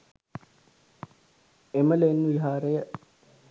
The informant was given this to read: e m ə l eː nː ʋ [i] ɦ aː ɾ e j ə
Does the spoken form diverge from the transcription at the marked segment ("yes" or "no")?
no